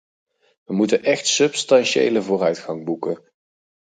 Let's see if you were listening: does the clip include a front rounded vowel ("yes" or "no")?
yes